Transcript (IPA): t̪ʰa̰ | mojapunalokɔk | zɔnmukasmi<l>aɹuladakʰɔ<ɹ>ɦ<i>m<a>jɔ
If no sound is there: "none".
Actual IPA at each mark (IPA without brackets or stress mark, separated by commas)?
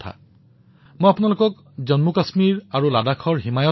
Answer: ɹ, ɹ, i, a